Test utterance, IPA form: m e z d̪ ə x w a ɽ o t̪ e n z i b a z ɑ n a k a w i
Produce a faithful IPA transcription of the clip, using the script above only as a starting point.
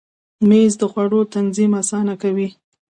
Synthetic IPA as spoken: m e z d̪ ə x w a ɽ o t̪ a n z i m a s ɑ n a k a w i

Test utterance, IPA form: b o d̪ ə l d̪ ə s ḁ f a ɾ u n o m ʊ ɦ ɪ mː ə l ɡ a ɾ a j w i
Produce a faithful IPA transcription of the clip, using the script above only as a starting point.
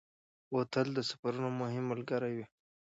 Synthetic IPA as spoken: w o t̪ ə l d̪ ə s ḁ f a ɾ u n o m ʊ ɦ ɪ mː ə l ɡ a ɾ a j w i

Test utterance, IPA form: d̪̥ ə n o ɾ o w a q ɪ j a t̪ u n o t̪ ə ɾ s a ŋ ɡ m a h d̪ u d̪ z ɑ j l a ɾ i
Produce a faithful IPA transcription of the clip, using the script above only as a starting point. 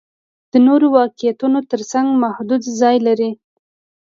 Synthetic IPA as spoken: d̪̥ ə n o ɾ o w ɑ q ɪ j a t̪ u n o t̪ ə ɾ s a ŋ ɡ m a h d̪ u d̪ z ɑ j l a ɾ i

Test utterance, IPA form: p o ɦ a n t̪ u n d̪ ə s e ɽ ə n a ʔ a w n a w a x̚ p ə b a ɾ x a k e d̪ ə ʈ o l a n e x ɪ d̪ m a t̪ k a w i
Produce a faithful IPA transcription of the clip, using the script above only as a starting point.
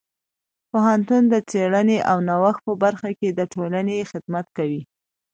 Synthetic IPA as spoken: p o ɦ a n t̪ u n d̪ ə t͡s e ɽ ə n e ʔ a w n a w a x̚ p ə b a ɾ x a k e d̪ ə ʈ o l a n e x ɪ d̪ m a t̪ k a w i

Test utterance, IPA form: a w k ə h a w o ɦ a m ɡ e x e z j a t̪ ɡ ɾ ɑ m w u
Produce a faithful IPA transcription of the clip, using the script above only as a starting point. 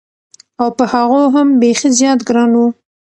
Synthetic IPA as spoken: a w p ə h a ɣ o ɦ a m b e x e z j ɑ t̪ ɡ ɾ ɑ n w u

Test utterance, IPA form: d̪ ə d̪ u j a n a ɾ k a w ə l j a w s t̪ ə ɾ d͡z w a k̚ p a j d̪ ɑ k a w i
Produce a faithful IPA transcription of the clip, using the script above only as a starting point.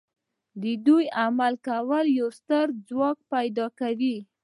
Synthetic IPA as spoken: d̪ ə d̪ u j a m a l k a w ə l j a w s t̪ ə ɾ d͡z w ɑ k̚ p a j d̪ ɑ k a w i

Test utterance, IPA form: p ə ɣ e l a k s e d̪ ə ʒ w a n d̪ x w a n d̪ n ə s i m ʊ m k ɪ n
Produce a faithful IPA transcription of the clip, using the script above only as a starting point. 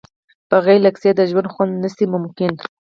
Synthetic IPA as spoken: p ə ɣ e l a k s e d̪ ə ʒ w a n d̪ x w a n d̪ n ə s i m ʊ m k ɪ n

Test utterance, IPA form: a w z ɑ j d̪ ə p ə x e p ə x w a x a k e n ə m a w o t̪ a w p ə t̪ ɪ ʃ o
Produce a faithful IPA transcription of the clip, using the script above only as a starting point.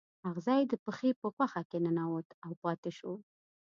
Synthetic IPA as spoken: a ɣ z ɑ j d̪ ə p ə x e p ə x w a x a k e n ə n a w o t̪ a w p ɑ t̪ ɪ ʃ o

